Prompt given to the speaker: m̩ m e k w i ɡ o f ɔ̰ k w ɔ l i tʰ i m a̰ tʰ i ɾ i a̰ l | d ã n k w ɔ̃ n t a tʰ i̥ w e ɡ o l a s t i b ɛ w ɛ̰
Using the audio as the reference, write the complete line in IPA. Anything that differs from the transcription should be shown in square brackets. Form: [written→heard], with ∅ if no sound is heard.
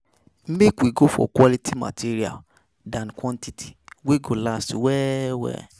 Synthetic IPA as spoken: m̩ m e k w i ɡ o f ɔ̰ k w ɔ l i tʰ i m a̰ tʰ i ɾ i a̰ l | d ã n k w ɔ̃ n t [a→i] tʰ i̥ w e ɡ o l a s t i [b→w] ɛ w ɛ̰